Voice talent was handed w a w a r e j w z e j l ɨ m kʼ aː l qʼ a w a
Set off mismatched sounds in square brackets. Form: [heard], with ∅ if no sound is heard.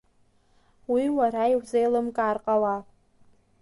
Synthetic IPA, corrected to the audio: w [i] w a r [a] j w z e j l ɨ m kʼ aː [r] qʼ a w a